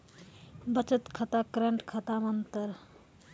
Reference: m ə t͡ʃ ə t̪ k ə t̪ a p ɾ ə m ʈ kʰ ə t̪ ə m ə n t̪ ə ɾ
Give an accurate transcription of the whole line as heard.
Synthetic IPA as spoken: b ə t͡ʃ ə t̪ kʰ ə t̪ a k ɾ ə ɳ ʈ kʰ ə t̪ a m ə n t̪ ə ɾ